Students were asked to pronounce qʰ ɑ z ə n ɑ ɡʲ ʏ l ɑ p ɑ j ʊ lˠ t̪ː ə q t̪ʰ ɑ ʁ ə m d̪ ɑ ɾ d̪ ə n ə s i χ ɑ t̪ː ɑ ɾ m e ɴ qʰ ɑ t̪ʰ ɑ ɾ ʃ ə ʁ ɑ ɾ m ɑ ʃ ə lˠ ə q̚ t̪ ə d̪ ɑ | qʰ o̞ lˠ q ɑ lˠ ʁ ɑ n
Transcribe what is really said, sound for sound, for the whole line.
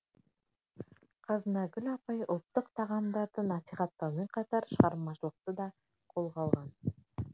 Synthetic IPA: qʰ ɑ z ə n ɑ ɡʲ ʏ l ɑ p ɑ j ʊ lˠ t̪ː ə q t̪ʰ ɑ ʁ ɑ m d̪ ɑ ɾ d̪ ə n ɑ s i χ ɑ t̪ː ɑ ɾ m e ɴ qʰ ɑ t̪ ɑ ɾ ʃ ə ʁ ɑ ɾ m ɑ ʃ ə lˠ ə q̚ t̪ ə d̪ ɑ | qʰ o̞ lˠ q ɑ lˠ ʁ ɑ n

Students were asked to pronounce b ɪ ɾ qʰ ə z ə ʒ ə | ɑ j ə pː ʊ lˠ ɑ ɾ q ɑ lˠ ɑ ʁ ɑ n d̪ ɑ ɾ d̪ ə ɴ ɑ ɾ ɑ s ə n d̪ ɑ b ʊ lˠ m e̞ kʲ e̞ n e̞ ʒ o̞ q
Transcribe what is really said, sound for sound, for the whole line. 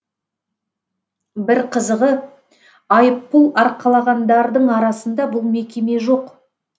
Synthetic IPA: b ɪ ɾ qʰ ə z ə ʁ ə | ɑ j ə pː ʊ lˠ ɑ ɾ q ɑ lˠ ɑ ʁ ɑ n d̪ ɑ ɾ d̪ ə ɴ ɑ ɾ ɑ s ə n d̪ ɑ b ʊ lˠ m e̞ kʲ e̞ m e̞ ʒ o̞ q

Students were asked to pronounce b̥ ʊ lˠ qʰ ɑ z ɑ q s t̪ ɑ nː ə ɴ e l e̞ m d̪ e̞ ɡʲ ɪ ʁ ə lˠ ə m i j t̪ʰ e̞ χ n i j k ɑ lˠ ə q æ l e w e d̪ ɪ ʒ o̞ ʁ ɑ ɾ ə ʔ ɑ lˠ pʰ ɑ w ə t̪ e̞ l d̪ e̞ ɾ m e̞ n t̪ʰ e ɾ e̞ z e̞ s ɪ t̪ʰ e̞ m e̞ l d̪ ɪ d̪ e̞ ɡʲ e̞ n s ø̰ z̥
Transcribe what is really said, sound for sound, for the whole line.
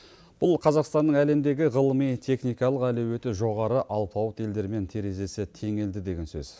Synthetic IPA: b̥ ʊ lˠ qʰ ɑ z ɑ q s t̪ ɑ nː ə ɴ æ l e̞ m d̪ e̞ ɡʲ ɪ ʁ ə lˠ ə m i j t̪ʰ e̞ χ n i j k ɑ lˠ ə q æ l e w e t̪ ɪ ʒ o̞ ʁ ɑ ɾ ə ʔ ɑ lˠ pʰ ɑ w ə t̪ e̞ l d̪ e̞ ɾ m e̞ n t̪ʰ e ɾ e̞ z e̞ s ɪ t̪ʰ e̞ ŋ e̞ l d̪ ɪ d̪ e̞ ɡʲ e̞ n s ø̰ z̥

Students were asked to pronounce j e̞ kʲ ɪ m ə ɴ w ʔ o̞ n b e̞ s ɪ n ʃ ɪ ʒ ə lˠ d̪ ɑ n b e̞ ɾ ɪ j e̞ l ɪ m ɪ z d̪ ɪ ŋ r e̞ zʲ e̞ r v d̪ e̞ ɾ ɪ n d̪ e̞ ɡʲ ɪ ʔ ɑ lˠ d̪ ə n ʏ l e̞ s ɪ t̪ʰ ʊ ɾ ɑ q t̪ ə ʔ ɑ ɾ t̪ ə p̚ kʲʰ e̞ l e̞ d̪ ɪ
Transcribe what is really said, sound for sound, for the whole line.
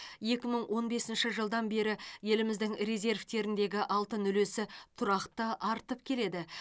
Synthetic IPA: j e̞ kʲ ɪ m ə ɴ w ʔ o̞ n b e̞ s ɪ n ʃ ɪ ʒ ə lˠ d̪ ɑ n b e̞ ɾ ɪ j e̞ l ɪ m ɪ z d̪ ɪ ŋ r e̞ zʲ e̞ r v t̪ e̞ ɾ ɪ n d̪ e̞ ɡʲ ɪ ʔ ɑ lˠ t̪ ə n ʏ l e̞ s ɪ t̪ʰ ʊ ɾ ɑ q t̪ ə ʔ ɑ ɾ t̪ ə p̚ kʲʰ e̞ l e̞ d̪ ɪ

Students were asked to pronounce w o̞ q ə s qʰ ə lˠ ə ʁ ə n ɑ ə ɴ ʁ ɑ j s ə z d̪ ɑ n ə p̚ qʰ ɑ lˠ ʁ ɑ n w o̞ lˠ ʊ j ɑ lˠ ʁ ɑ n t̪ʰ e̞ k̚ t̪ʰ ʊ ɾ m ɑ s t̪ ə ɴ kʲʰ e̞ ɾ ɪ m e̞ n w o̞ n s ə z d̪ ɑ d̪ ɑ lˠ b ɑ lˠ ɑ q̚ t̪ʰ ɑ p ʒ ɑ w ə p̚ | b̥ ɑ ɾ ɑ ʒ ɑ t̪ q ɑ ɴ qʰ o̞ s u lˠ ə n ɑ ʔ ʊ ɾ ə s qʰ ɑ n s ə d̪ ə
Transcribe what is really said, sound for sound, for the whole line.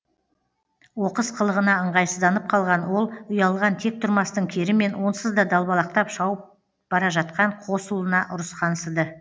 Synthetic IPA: w o̞ q ə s qʰ ə lˠ ə ʁ ə n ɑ ə ɴ ʁ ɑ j s ə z d̪ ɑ n ə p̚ qʰ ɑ lˠ ʁ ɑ n w o̞ lˠ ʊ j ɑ lˠ ʁ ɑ n t̪ʰ e̞ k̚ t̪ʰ ʊ ɾ m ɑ s t̪ ə ɴ kʲʰ e̞ ɾ ɪ m e̞ n w o̞ n s ə z d̪ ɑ d̪ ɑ lˠ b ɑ lˠ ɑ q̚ t̪ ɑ p ʃ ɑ w ə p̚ | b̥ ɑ ɾ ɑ ʒ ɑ t̪ q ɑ ɴ qʰ o̞ s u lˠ ə n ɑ ʔ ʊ ɾ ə s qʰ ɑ n s ə d̪ ə

